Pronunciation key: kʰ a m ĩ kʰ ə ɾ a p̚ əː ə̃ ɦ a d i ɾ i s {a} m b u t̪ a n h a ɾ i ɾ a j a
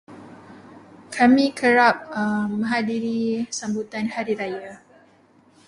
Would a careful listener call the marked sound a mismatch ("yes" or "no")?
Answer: no